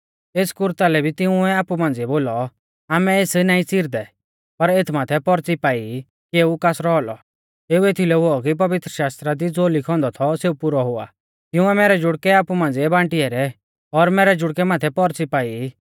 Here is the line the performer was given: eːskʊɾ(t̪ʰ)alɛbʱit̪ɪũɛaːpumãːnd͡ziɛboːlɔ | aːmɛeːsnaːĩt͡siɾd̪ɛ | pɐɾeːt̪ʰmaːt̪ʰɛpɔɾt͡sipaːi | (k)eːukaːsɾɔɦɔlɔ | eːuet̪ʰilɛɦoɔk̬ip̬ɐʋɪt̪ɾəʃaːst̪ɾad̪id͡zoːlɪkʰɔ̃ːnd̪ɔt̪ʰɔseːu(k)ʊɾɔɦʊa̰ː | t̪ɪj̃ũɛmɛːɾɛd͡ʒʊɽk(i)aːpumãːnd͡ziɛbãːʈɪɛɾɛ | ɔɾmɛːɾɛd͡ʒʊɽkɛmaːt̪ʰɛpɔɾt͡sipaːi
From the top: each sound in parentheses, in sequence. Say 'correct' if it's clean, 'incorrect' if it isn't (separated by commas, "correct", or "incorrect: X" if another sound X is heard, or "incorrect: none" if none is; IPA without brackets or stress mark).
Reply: incorrect: t̪, correct, incorrect: p, incorrect: ɛ